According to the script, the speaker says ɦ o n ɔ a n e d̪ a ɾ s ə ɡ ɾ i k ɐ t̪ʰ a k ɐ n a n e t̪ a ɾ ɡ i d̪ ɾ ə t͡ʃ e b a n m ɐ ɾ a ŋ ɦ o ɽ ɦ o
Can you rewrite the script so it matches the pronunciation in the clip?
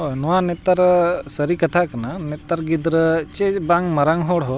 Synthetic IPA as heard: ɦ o n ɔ a n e t̪ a ɾ s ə ɾ i k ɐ t̪ʰ a k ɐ n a n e t̪ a ɾ ɡ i d̪ ɾ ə t͡ʃ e b a ŋ m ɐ ɾ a ŋ ɦ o ɽ ɦ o